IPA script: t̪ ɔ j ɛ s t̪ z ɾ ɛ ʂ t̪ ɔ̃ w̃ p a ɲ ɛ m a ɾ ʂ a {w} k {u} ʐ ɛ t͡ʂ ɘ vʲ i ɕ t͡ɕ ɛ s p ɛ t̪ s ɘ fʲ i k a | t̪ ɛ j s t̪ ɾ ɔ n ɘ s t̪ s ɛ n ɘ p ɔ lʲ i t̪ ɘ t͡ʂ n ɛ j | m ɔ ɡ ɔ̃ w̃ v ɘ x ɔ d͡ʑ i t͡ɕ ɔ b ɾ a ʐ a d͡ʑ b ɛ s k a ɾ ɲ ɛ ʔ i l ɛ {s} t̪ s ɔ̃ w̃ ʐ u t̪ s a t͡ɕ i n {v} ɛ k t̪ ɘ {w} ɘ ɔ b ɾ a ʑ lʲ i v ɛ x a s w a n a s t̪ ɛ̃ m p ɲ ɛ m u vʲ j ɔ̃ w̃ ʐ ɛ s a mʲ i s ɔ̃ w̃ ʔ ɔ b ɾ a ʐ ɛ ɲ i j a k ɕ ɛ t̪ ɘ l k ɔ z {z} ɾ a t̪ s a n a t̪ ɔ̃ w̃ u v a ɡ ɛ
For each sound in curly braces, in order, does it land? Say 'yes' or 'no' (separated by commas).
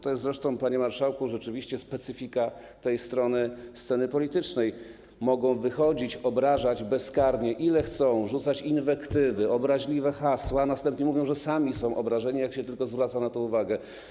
yes, yes, no, yes, no, no